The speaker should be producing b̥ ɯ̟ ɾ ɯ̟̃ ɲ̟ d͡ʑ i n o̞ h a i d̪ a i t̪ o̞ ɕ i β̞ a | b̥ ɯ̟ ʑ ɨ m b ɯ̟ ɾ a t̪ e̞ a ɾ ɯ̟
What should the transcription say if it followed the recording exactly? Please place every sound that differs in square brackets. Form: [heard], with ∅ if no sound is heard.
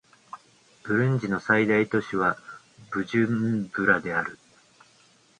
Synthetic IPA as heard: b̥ ɯ̟ ɾ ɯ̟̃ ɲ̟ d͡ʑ i n o̞ [s] a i d̪ a i t̪ o̞ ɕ i β̞ a | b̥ ɯ̟ ʑ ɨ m b ɯ̟ ɾ a [d̪] e̞ a ɾ ɯ̟

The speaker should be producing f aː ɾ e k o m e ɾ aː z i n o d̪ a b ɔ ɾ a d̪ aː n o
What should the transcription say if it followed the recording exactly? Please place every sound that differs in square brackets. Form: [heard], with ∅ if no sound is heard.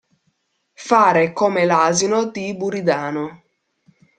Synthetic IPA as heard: f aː ɾ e k o m e [l] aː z i n o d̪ [i] b [u] ɾ [i] d̪ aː n o

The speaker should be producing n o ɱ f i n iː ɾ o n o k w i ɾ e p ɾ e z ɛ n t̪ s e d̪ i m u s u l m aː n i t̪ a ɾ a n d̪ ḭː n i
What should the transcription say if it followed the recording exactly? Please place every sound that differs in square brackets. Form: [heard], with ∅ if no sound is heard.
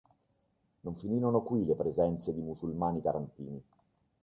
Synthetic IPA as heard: n o ɱ f i n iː ɾ o n o k w i [l] e p ɾ e z ɛ n t̪ s e d̪ i m u s u l m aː n i t̪ a ɾ a n [t̪] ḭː n i

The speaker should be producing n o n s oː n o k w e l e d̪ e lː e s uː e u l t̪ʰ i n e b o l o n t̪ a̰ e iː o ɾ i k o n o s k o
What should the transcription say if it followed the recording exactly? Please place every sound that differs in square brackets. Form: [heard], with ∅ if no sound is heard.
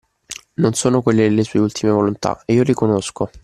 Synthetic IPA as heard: n o n s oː n o k w e [lː] e d̪ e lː e s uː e u l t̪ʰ i [m] e [v] o l o n t̪ a̰ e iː o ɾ i k o n o s k o

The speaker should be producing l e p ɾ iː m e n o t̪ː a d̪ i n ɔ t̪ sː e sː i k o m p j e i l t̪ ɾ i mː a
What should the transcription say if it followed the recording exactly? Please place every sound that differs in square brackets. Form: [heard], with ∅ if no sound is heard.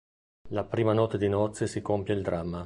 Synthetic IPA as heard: l [a] p ɾ iː m [a] n [ɔ] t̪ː [e] d̪ i n ɔ t̪ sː e [s] i k o m p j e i l [d̪] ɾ [a] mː a

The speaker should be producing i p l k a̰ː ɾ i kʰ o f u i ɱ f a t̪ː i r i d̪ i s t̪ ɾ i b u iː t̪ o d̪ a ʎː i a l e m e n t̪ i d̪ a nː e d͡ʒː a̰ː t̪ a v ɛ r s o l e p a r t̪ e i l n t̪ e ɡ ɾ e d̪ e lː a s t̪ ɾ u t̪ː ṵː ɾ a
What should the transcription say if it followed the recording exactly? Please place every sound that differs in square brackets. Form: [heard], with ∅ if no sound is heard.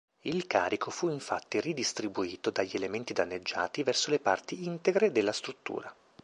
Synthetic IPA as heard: i [∅] l k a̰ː ɾ i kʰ o f u i ɱ f a t̪ː i r i d̪ i s t̪ ɾ i b u iː t̪ o d̪ a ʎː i [e] l e m e n t̪ i d̪ a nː e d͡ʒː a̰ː t̪ [i] v ɛ r s o l e p a r t̪ [i] i [∅] n t̪ e ɡ ɾ e d̪ e lː a s t̪ ɾ u t̪ː ṵː ɾ a

